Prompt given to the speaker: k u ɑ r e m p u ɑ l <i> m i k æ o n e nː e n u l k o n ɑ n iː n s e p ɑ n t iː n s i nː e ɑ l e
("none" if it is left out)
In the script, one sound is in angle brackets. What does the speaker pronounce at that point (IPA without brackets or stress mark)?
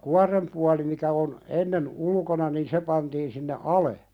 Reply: i